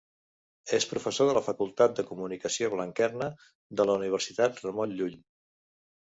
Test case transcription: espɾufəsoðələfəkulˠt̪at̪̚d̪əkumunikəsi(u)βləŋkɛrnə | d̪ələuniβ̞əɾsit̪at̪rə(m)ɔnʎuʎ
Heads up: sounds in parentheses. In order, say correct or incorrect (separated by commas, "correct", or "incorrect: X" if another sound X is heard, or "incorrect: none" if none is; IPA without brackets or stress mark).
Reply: incorrect: o, correct